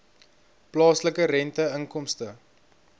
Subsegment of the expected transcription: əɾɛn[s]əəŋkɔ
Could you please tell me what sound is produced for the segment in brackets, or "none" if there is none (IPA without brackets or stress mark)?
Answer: t